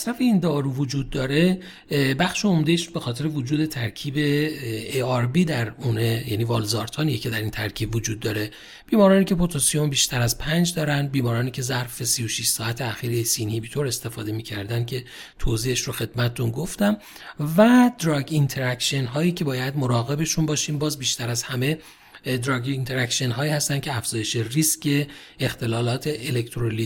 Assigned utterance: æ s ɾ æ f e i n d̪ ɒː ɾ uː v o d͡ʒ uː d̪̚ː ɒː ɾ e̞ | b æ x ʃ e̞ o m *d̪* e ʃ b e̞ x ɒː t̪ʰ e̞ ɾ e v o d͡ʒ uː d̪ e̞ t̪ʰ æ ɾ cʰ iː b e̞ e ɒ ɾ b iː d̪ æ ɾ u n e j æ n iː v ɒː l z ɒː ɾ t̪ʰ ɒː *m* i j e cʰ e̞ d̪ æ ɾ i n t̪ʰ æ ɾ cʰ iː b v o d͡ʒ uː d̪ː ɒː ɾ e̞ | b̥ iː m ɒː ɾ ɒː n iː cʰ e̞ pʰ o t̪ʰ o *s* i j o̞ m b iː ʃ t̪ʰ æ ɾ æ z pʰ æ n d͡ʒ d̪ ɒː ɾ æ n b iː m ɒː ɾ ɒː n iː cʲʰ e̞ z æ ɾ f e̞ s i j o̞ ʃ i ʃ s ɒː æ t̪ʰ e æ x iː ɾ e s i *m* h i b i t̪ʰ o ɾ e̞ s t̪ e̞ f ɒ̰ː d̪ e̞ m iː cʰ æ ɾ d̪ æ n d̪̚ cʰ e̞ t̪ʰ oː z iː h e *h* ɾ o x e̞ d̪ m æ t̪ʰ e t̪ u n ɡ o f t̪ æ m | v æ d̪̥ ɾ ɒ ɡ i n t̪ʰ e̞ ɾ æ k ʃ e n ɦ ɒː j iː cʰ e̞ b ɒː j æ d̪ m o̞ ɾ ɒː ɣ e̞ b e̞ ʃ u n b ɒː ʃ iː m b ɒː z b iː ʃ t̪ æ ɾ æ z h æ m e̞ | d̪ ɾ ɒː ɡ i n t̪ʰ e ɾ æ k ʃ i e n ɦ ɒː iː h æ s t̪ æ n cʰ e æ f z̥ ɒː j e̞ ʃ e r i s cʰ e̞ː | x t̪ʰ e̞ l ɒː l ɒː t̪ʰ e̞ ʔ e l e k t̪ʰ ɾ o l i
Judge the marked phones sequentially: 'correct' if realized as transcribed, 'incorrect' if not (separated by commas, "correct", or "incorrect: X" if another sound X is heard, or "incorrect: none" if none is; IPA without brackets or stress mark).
correct, incorrect: n, correct, incorrect: n, incorrect: ʃ